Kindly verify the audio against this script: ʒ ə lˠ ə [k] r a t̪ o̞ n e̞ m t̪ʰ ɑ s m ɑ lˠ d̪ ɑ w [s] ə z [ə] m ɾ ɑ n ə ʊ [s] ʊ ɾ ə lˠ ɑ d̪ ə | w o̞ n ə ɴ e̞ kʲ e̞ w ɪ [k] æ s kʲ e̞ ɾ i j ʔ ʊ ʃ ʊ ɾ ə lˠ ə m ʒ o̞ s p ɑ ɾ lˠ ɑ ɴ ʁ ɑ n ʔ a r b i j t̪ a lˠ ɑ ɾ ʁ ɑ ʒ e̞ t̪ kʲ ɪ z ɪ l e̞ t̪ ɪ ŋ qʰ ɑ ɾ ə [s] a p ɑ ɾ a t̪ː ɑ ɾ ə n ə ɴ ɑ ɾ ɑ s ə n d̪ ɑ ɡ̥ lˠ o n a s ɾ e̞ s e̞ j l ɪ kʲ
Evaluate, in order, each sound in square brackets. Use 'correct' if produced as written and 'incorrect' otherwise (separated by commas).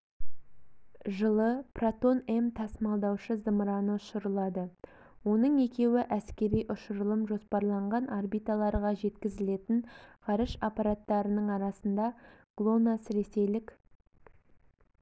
incorrect, incorrect, correct, incorrect, incorrect, incorrect